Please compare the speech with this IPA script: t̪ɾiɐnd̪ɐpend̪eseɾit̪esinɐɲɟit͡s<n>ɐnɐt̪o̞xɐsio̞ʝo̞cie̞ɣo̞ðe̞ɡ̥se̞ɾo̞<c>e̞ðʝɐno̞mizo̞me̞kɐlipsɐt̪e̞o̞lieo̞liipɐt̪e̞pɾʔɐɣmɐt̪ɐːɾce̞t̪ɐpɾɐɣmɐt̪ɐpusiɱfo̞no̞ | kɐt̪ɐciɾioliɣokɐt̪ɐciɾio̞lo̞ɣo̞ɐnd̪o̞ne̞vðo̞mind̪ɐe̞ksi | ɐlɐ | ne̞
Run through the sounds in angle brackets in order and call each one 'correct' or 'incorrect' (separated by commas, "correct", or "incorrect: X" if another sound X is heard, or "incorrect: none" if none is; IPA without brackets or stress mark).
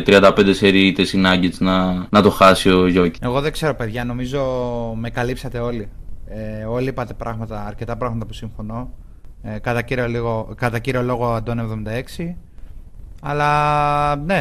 correct, incorrect: p